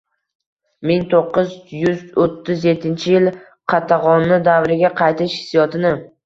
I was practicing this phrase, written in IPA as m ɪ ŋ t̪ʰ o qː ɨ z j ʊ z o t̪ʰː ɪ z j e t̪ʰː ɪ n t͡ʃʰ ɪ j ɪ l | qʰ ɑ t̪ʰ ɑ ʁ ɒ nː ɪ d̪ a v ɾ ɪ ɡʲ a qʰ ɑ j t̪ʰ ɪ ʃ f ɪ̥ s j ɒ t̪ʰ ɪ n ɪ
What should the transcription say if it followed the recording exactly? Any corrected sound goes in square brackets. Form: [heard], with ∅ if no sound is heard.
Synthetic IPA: m ɪ ŋ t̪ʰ o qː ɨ z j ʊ z o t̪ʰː ɪ z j e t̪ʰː ɪ n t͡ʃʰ ɪ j ɪ l | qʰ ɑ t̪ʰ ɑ ʁ ɒ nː ɪ d̪ a v ɾ ɪ ɡʲ a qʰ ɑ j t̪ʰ ɪ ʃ [h] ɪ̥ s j ɒ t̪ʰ ɪ n ɪ